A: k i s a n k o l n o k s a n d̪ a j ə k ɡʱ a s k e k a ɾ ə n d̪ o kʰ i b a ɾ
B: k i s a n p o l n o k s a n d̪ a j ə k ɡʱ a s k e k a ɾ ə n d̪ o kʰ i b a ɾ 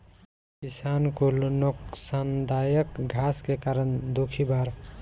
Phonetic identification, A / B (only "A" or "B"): A